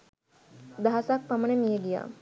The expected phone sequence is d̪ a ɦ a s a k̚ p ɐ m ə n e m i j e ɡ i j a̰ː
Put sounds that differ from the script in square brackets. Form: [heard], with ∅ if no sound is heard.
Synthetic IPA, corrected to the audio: d̪ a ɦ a s a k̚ p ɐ m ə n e m i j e ɡ i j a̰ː